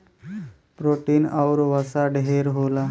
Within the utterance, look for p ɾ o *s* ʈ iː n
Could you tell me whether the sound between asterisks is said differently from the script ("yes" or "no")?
yes